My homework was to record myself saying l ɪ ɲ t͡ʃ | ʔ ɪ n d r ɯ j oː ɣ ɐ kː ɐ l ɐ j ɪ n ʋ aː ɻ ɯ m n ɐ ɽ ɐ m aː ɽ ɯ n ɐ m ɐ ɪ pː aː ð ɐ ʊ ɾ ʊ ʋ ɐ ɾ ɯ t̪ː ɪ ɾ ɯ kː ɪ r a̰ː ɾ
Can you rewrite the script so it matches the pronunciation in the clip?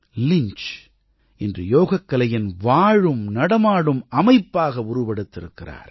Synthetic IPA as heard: l ɪ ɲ t͡ʃ | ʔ ɪ n d r ɯ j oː ɣ ɐ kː ɐ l ɐ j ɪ n ʋ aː ɻ ɯ m n ɐ ɽ ɐ m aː ɽ ɯ m ɐ m ɐ ɪ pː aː ɣ ɐ ʊ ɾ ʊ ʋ ɐ ɽ ɯ t̪ː ɪ ɾ ɯ kː ɪ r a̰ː ɾ